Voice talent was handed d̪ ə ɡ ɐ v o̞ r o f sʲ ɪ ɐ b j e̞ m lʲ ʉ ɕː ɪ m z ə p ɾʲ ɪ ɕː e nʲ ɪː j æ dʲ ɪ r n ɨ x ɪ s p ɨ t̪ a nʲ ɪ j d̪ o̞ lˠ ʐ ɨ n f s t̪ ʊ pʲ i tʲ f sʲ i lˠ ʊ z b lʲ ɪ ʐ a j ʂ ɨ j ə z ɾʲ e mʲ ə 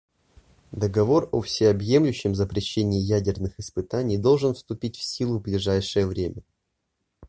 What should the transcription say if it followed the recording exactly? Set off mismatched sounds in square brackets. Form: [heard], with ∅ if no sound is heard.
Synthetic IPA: d̪ ə ɡ ɐ v o̞ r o f sʲ ɪ ɐ b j e̞ m lʲ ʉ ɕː ɪ m z ə p ɾʲ ɪ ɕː e nʲ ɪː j æ dʲ ɪ r n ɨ x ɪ s p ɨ t̪ a nʲ ɪ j d̪ o̞ lˠ ʐ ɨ n f s t̪ ʊ pʲ i tʲ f sʲ i lˠ ʊ [v] b lʲ ɪ ʐ a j ʂ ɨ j ə [v] ɾʲ e mʲ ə